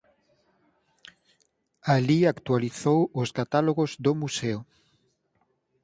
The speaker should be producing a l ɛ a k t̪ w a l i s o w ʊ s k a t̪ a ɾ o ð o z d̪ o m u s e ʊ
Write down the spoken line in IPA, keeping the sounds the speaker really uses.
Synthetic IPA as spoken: a l i a k t̪ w a l i θ o w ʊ s k a t̪ a l o ɣ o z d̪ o m u s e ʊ